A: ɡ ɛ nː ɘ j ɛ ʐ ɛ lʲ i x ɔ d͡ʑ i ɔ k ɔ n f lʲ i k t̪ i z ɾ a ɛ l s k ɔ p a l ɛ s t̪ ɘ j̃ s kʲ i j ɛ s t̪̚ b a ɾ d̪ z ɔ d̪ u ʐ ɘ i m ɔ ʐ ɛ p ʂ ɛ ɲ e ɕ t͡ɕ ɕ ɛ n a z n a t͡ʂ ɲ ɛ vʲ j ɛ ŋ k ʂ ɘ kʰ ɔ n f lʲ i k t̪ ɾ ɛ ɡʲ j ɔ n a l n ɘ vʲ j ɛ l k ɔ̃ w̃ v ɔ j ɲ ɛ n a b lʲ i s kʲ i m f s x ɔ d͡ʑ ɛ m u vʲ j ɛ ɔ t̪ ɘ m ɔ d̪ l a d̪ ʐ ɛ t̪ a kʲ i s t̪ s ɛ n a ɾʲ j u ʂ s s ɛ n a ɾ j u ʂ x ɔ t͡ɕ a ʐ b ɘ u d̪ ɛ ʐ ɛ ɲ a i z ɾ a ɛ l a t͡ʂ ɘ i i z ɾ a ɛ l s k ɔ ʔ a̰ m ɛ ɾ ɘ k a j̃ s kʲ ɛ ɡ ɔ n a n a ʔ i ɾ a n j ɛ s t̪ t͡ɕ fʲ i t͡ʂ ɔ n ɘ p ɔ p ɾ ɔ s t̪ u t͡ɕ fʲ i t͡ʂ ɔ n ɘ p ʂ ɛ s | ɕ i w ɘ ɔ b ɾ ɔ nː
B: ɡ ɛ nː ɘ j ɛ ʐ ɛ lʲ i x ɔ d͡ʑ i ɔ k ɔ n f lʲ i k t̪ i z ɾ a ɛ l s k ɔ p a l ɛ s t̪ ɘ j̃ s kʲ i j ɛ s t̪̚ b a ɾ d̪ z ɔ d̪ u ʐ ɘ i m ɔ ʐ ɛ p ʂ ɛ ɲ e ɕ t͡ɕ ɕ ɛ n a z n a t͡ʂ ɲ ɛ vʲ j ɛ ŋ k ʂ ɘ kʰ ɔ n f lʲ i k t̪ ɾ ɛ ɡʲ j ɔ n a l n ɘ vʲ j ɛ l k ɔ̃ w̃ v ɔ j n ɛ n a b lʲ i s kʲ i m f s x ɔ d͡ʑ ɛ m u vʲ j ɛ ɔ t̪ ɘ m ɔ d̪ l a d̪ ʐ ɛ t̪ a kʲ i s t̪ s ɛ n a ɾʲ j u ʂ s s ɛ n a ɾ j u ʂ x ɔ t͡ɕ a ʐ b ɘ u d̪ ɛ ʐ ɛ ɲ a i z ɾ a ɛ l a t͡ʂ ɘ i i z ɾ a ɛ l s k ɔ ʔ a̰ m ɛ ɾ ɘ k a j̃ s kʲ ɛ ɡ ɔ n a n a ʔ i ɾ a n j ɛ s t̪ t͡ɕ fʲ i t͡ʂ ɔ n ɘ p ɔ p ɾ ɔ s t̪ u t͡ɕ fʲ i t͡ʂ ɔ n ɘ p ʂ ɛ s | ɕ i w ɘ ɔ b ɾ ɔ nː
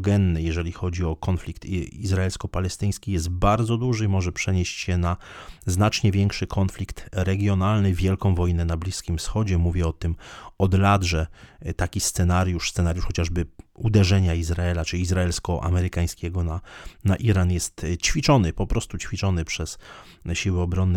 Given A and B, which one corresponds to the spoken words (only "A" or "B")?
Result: B